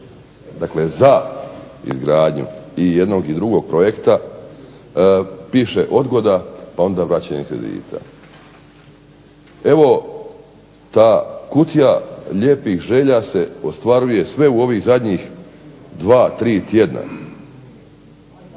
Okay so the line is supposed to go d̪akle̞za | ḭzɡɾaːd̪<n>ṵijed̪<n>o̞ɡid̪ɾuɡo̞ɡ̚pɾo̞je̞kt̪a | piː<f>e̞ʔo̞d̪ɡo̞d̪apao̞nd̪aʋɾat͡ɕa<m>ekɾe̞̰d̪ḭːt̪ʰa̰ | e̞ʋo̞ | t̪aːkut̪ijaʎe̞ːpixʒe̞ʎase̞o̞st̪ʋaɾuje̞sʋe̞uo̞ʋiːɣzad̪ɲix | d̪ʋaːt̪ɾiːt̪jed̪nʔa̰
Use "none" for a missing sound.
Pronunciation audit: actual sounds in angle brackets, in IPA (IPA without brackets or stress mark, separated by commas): ɲ, n, ʃ, ɲ